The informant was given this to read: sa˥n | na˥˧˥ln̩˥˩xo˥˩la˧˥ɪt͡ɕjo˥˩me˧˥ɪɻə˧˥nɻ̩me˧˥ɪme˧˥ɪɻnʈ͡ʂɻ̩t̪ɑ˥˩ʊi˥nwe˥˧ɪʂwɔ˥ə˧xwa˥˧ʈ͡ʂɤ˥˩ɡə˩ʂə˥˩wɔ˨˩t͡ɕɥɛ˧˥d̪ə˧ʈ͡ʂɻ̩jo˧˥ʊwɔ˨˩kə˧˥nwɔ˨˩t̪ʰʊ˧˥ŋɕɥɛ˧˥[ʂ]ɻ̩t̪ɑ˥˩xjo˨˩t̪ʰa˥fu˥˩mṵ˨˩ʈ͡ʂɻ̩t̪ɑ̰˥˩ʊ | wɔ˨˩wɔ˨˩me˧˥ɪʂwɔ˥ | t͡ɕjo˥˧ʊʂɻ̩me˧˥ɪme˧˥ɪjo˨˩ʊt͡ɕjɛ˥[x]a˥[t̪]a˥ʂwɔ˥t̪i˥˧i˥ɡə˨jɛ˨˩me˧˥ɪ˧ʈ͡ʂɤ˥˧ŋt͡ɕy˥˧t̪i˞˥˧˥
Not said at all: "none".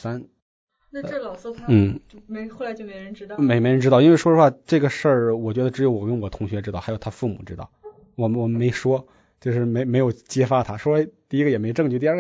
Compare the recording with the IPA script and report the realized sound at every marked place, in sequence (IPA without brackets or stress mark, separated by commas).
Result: ʈ͡ʂ, f, t̪ʰ